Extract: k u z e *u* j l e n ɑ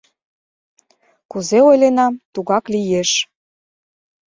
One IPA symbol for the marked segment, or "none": o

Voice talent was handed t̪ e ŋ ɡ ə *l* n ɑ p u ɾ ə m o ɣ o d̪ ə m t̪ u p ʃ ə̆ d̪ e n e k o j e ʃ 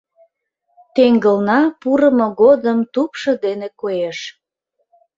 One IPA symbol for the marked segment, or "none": l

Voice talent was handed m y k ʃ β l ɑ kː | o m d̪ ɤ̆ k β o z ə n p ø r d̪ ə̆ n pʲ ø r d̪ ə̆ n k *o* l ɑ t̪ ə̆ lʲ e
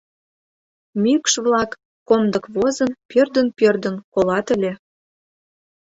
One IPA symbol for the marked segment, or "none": o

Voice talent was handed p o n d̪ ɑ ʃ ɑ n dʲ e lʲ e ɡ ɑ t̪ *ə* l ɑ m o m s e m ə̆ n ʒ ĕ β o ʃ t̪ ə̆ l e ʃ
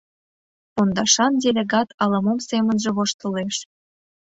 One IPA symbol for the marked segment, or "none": ɑ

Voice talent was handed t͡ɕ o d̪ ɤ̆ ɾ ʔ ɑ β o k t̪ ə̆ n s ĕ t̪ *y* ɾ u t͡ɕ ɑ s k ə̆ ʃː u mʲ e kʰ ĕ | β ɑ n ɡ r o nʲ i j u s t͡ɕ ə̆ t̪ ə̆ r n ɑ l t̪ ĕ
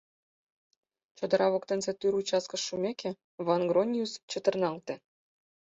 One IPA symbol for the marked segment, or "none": y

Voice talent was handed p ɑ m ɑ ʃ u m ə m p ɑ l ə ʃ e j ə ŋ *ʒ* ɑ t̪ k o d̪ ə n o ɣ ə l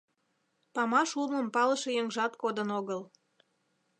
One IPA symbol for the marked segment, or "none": ʒ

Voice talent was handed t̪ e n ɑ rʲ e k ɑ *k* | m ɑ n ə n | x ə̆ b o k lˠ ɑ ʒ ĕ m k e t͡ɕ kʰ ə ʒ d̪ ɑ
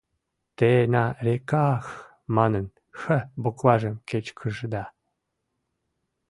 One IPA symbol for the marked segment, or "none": x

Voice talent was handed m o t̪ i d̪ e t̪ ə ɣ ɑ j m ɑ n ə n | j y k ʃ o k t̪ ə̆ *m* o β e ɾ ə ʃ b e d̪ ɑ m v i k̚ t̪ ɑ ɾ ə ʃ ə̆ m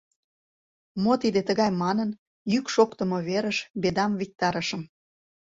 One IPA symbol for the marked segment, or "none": m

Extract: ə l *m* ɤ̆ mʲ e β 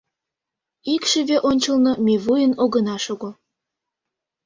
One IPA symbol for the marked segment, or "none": n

